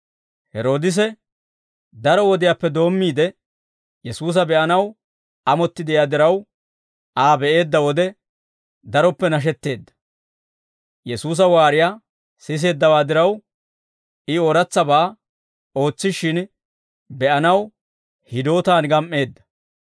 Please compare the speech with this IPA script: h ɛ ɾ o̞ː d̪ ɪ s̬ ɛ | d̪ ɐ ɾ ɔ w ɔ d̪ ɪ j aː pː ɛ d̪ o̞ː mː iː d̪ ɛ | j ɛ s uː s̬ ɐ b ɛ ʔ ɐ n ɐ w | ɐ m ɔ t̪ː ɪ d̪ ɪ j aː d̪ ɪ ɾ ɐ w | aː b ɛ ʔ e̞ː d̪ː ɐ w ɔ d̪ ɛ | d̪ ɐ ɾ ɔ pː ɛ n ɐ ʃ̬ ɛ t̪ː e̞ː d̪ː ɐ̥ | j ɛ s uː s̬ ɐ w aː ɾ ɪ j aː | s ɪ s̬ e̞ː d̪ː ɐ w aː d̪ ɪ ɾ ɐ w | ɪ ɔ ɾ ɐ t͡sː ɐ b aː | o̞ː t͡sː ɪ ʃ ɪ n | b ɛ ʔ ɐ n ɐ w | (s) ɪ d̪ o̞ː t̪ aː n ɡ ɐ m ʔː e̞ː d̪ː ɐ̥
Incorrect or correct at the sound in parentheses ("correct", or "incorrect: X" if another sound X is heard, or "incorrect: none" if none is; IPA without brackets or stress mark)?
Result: incorrect: h